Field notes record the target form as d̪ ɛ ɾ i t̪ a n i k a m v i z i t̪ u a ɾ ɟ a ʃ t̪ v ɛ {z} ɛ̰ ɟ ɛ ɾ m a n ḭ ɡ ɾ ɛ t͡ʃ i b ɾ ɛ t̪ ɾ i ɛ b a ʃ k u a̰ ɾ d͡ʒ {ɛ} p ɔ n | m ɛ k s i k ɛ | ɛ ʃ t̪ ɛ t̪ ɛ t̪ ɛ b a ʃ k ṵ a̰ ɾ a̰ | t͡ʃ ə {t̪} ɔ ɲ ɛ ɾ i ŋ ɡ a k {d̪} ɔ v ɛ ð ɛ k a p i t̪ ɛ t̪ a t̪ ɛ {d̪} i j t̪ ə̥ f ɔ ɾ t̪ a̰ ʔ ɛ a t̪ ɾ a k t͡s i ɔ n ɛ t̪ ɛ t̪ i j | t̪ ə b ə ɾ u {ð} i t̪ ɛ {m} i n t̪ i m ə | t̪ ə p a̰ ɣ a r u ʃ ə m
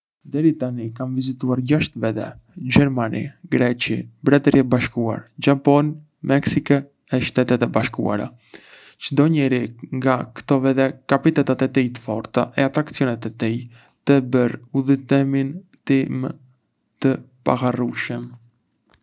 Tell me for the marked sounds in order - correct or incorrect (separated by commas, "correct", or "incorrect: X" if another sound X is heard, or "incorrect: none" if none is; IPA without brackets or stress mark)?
incorrect: ð, incorrect: a, incorrect: d̪, incorrect: t̪, incorrect: t̪, correct, correct